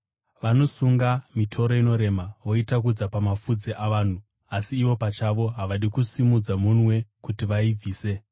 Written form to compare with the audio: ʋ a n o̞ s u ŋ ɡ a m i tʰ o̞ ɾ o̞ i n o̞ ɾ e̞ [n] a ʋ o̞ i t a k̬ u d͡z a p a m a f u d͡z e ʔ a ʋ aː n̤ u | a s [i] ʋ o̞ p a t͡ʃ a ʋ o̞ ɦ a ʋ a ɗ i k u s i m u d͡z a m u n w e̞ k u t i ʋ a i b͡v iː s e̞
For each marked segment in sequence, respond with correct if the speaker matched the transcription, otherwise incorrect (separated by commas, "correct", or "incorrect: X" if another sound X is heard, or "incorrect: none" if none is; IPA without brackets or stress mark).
incorrect: m, incorrect: iː